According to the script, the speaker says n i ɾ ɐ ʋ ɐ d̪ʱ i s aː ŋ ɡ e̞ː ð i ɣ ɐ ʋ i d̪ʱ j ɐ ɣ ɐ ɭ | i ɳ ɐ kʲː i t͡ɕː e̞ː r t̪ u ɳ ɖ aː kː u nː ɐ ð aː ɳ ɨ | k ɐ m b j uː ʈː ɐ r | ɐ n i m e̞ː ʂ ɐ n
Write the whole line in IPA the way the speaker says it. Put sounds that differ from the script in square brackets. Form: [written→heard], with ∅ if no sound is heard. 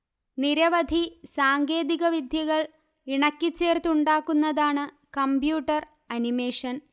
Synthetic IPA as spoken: n i ɾ ɐ ʋ ɐ d̪ʱ i s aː ŋ ɡ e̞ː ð i ɣ ɐ ʋ i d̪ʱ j ɐ ɣ ɐ ɭ | i ɳ ɐ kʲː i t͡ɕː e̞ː r t̪ u ɳ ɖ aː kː u nː ɐ ð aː ɳ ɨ | k ɐ m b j uː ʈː ɐ r | ɐ n i m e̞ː ʂ ɐ n